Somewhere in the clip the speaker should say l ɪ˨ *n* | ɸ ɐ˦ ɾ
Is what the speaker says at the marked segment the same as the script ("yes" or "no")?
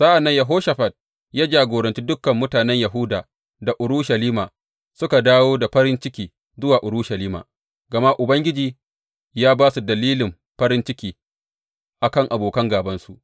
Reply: no